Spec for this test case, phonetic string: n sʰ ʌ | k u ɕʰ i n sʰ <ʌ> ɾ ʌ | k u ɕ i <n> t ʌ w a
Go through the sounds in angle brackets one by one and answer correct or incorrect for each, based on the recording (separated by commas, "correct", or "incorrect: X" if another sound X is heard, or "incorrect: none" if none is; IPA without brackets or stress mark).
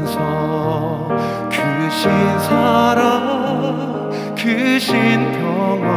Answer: incorrect: a, correct